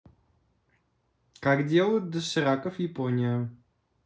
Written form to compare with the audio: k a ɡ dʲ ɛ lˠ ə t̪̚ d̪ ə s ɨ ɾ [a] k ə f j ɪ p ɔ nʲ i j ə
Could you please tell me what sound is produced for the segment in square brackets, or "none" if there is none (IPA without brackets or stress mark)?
a